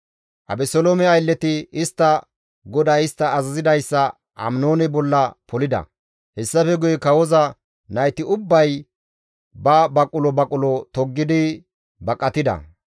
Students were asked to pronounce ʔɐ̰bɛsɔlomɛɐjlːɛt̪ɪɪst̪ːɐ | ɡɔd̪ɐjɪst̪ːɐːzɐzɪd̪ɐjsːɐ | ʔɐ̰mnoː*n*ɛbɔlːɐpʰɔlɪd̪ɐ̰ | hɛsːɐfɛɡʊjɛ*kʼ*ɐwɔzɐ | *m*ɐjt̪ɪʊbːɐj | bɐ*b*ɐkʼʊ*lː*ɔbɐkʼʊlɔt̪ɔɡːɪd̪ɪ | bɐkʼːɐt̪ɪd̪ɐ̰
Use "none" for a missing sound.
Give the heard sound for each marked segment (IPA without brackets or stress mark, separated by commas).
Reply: n, k, n, b, l